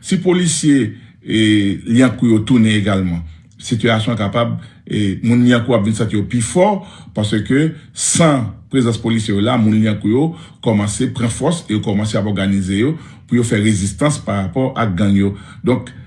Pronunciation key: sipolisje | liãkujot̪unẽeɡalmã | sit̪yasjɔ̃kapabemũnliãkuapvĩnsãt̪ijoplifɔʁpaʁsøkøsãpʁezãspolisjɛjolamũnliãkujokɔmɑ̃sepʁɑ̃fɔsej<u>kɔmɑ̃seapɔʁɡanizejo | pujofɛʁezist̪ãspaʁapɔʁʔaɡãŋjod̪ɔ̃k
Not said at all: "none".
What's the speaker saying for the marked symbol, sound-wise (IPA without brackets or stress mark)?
o